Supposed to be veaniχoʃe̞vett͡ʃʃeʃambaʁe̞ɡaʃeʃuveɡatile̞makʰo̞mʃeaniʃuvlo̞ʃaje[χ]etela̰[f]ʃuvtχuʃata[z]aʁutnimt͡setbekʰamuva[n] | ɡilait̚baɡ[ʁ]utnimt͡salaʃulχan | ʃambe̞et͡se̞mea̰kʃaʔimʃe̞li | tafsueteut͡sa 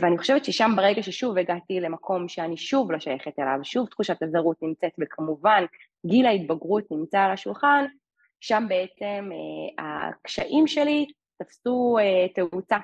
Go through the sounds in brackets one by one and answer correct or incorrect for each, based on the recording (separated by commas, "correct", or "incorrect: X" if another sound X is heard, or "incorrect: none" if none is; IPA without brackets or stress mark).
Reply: correct, incorrect: v, correct, correct, correct